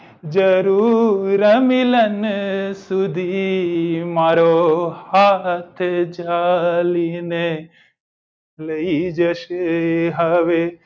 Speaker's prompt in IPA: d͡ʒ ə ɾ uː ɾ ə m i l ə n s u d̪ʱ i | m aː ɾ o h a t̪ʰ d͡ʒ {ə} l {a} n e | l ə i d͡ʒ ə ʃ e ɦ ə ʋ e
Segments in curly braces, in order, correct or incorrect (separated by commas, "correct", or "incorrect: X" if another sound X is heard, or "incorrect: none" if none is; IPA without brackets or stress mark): incorrect: a, incorrect: i